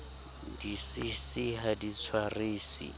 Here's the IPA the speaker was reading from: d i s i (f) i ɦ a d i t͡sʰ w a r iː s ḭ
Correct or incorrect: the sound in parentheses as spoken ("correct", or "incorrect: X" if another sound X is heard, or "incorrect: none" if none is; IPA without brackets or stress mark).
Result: incorrect: s